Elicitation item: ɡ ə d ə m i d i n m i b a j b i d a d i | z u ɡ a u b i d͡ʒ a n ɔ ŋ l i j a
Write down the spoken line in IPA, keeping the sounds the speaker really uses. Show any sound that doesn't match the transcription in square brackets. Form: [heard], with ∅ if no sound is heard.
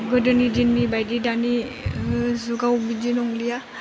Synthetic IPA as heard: ɡ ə d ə [n] i d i n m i b a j [d] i d a [n] i | z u ɡ a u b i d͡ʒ [i] n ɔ ŋ l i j a